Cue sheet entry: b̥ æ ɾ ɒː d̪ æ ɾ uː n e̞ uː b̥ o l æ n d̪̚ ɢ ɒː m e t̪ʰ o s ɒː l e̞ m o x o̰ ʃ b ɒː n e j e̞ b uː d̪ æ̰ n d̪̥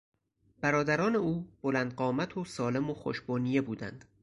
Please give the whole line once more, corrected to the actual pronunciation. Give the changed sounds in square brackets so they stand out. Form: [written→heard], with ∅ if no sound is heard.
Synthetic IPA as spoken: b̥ æ ɾ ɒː d̪ æ ɾ [uː→ɒː] n e̞ uː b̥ o l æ n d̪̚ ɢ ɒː m [e→æ] t̪ʰ o s ɒː l e̞ m o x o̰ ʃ b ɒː n [e→i] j e̞ b uː d̪ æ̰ n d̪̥